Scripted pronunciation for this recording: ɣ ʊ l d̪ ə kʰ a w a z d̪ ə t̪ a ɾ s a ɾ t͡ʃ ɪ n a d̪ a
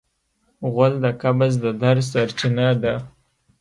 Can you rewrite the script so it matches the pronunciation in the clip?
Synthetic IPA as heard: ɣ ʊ l d̪ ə k a b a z d̪ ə d̪ a ɾ s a ɾ t͡ʃ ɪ n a d̪ a